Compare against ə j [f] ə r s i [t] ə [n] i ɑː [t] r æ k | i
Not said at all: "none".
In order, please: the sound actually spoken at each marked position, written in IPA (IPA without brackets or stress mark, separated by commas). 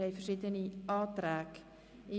f, t, n, t